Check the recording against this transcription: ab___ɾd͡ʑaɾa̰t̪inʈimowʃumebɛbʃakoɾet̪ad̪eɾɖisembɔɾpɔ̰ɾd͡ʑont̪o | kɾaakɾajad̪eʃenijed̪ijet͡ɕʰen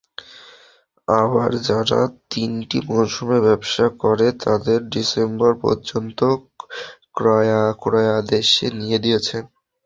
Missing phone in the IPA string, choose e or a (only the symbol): a